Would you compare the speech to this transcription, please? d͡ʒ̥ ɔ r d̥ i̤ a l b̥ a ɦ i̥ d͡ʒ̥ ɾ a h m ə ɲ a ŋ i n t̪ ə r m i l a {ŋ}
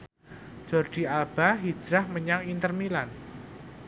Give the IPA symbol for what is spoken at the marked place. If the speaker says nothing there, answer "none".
n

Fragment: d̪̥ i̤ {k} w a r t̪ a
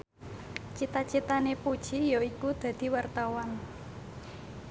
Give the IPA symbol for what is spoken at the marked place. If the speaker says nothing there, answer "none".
none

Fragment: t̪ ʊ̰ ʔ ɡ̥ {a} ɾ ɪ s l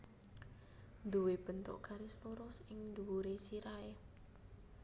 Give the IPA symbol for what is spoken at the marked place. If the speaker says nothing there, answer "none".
a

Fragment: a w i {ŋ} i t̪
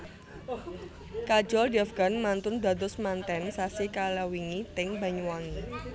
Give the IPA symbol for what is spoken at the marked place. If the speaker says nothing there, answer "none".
ŋ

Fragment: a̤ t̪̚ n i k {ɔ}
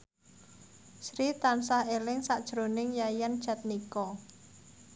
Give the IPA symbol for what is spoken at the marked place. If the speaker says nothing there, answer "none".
ɔ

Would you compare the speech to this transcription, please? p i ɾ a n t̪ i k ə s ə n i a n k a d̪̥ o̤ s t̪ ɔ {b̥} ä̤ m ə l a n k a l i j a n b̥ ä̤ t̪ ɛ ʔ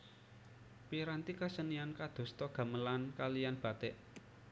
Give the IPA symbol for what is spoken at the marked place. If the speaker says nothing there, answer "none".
ɡ̥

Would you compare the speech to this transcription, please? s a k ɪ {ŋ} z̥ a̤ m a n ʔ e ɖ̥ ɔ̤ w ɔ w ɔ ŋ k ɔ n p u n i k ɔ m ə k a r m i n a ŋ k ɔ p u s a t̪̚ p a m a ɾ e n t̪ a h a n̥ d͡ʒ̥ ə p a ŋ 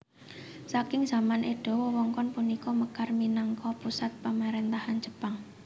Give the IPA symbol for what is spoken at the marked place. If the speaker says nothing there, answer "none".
ŋ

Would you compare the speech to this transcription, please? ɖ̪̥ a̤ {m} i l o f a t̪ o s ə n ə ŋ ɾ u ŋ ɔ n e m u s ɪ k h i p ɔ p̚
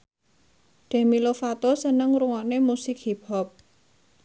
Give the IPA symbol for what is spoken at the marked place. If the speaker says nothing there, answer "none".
m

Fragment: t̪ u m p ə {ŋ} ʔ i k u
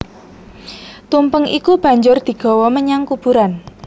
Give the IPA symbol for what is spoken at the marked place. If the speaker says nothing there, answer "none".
ŋ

